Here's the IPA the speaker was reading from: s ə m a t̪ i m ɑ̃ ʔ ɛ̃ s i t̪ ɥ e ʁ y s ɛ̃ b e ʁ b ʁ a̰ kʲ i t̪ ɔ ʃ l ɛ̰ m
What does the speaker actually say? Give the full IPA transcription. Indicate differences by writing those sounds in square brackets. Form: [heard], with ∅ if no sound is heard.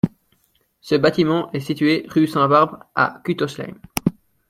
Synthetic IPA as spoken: s ə [b] a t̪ i m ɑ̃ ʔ [ɛ] s i t̪ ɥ e ʁ y s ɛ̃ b [a] ʁ b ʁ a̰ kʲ [y] t̪ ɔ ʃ l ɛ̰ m

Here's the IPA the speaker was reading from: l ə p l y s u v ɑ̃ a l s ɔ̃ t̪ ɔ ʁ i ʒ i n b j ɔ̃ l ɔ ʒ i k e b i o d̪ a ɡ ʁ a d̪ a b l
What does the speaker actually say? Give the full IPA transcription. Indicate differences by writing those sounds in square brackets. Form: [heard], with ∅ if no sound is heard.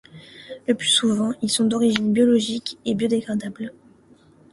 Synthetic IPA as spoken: l ə p l y s u v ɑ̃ [i] l s ɔ̃ [d̪] ɔ ʁ i ʒ i n b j [ɔ] l ɔ ʒ i k e b [j] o d̪ [e] ɡ ʁ a d̪ a b l

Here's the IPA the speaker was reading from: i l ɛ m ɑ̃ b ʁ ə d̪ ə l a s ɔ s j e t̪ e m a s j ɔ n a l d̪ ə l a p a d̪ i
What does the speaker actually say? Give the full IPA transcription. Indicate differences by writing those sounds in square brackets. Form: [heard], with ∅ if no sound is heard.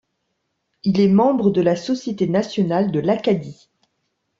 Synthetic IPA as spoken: i l ɛ m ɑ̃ b ʁ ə d̪ ə l a s ɔ s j e t̪ e [n] a s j ɔ n a l d̪ ə l a [k] a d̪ i

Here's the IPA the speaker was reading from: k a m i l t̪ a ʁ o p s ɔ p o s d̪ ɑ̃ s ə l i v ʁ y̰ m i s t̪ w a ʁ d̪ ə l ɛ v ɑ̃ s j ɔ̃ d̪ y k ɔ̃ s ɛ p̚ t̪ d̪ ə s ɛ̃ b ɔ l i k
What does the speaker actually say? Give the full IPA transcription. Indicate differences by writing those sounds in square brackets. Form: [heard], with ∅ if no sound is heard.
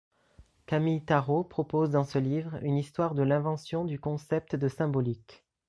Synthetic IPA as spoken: k a m i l t̪ a ʁ o p [χ] ɔ p o [z] d̪ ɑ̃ s ə l i v ʁ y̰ [n] i s t̪ w a ʁ d̪ ə l [ɛ̃] v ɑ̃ s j ɔ̃ d̪ y k ɔ̃ s ɛ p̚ t̪ d̪ ə s ɛ̃ b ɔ l i k

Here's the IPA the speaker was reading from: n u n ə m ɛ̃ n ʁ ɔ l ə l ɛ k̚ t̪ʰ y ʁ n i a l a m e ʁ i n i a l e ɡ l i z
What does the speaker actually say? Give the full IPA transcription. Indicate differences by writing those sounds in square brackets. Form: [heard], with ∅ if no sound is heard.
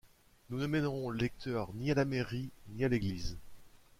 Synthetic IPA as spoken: n u n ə m [ɛ] n ʁ [ɔ̃] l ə l ɛ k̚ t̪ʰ [œ] ʁ n i a l a m e ʁ i n i a l e ɡ l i z

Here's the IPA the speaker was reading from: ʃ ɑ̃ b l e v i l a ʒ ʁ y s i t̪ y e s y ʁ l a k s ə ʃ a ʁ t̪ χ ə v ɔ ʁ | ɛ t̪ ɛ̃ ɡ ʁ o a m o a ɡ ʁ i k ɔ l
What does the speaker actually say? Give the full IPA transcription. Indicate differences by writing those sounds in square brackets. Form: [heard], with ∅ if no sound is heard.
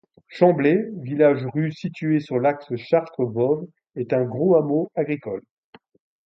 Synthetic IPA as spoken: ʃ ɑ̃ b l e v i l a ʒ ʁ y s i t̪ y e s y ʁ l a k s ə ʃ a ʁ t̪ χ ə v ɔ [v] | ɛ t̪ ɛ̃ ɡ ʁ o a m o a ɡ ʁ i k ɔ l

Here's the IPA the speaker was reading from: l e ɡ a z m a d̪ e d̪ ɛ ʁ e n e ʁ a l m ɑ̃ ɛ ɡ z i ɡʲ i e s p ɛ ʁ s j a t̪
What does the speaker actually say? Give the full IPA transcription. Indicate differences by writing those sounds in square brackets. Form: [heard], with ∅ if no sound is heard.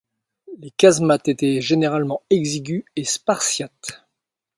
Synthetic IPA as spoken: l e [k] a z m a [t̪] e [t̪] ɛ [ʒ] e n e ʁ a l m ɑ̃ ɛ ɡ z i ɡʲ [y] e s p [a] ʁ s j a t̪

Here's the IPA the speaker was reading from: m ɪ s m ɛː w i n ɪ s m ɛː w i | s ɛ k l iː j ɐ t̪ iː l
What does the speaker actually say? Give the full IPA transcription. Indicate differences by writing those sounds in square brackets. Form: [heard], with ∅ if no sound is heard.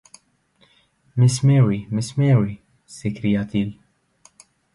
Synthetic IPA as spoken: m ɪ s m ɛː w i [m] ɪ s m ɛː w i | s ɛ k [ɾ] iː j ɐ t̪ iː l

